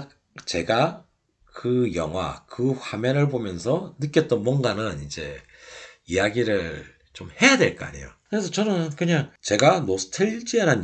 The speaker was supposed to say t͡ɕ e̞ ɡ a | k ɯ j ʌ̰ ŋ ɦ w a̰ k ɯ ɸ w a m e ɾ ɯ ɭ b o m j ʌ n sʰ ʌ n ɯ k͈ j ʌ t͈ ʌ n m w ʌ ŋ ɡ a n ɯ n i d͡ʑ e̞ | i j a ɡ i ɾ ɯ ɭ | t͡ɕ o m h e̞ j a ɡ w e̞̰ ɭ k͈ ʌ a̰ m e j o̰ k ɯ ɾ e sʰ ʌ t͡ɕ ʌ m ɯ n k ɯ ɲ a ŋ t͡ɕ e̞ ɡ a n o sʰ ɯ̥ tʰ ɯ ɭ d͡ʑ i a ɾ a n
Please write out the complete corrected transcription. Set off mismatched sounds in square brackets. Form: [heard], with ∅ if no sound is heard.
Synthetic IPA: t͡ɕ e̞ ɡ a | k ɯ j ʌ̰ ŋ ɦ w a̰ k ɯ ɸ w a m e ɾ ɯ ɭ b o m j ʌ n sʰ ʌ n ɯ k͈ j ʌ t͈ ʌ n m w ʌ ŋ ɡ a n ɯ n i d͡ʑ e̞ | i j a ɡ i ɾ ɯ ɭ | t͡ɕ o m h e̞ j a [d] w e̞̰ ɭ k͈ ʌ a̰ [ɲ] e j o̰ k ɯ ɾ e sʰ ʌ t͡ɕ ʌ [n] ɯ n k ɯ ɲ a ŋ t͡ɕ e̞ ɡ a n o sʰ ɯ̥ tʰ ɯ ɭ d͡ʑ i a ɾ a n